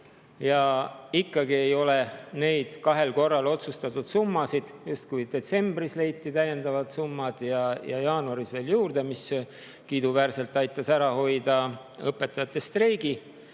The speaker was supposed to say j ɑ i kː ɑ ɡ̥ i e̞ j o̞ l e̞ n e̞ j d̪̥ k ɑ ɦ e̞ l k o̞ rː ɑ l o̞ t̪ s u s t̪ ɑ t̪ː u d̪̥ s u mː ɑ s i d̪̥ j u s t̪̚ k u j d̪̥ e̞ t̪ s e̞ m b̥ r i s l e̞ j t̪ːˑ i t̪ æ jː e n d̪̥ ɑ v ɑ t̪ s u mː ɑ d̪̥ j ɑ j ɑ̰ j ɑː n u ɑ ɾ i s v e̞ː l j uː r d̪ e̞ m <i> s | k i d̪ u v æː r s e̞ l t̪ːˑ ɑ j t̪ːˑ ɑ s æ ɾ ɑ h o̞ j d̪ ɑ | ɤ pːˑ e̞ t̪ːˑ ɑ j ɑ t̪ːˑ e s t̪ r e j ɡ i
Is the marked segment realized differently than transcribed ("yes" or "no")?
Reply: no